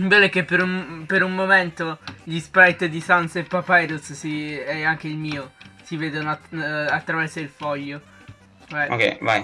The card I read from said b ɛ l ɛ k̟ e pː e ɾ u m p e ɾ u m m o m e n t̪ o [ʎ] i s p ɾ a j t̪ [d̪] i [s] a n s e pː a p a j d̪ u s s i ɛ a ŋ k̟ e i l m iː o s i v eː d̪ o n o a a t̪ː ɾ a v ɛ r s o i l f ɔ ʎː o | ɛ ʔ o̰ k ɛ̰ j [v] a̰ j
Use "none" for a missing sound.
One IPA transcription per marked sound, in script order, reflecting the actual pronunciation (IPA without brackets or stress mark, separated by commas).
ʎ, d̪, s, v